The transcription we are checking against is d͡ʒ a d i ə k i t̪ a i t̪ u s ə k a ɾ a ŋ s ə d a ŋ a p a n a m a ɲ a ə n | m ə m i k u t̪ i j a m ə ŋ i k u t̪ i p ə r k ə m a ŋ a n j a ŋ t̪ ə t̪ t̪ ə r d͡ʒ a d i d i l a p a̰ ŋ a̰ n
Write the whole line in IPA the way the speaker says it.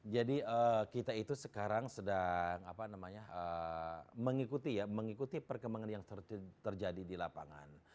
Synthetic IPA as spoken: d͡ʒ a d i ə k i t̪ a i t̪ u s ə k a ɾ a ŋ s ə d a ŋ a p a n a m a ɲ a ə | m ə ŋ i k u t̪ i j a m ə ŋ i k u t̪ i p ə r k ə m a ŋ a n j a ŋ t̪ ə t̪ t̪ ə r d͡ʒ a d i d i l a p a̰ ŋ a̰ n